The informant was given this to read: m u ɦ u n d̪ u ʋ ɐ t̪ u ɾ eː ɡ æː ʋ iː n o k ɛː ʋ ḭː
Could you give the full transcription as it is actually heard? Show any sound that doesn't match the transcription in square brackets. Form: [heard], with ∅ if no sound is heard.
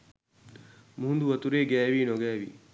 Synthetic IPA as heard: m u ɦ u n d̪ u ʋ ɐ t̪ u ɾ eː ɡ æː ʋ iː n o [ɡ] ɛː ʋ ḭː